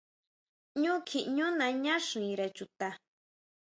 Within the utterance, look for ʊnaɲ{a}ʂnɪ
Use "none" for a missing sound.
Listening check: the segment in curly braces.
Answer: a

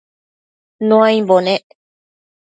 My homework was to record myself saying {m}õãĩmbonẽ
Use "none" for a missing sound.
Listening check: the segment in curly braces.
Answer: n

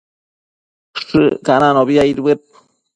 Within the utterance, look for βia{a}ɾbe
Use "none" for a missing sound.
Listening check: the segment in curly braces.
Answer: i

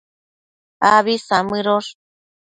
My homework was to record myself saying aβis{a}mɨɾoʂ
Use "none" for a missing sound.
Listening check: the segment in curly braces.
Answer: a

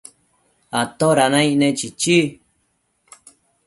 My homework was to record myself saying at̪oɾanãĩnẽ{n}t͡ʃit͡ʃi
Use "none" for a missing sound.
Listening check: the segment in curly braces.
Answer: none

